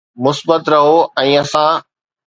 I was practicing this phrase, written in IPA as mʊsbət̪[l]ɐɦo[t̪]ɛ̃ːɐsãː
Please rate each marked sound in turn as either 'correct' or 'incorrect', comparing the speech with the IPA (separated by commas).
incorrect, incorrect